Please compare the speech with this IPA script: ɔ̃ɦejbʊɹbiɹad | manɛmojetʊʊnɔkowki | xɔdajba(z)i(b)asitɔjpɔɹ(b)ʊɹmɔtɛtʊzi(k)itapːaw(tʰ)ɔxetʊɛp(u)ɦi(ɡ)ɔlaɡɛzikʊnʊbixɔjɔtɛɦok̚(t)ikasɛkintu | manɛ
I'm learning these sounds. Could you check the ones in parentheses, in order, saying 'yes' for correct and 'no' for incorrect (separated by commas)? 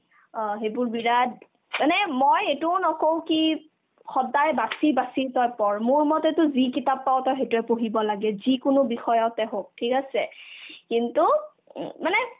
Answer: no, yes, no, yes, no, no, no, no